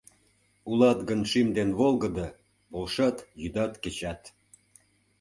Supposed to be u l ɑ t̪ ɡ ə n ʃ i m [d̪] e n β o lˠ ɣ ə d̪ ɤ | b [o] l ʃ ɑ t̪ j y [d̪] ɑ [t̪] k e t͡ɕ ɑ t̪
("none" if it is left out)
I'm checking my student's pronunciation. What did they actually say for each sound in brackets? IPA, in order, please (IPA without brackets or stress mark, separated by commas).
d̪, o, d̪, t̪